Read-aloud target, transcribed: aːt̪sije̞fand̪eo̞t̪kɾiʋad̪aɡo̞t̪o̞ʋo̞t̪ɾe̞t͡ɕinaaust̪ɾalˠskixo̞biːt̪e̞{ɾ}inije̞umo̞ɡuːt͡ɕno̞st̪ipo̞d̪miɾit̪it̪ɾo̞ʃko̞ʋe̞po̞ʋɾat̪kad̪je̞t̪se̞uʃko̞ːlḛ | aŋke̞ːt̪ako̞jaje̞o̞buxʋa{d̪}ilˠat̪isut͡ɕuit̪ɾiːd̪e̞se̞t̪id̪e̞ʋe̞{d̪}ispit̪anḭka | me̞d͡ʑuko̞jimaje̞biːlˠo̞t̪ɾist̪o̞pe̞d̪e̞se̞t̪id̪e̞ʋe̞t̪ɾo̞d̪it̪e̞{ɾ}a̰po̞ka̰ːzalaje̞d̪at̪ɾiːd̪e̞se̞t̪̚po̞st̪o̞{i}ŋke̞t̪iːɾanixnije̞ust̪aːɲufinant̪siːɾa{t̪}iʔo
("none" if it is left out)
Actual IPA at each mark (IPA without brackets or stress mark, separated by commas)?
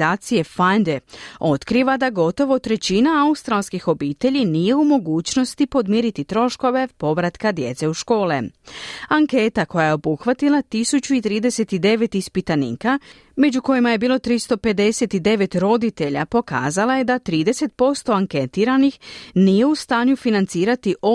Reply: ʎ, t̪, t̪, ʎ, a, t̪